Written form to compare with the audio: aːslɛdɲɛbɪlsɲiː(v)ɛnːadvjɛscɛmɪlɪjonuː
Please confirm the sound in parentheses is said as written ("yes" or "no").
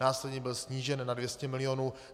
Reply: no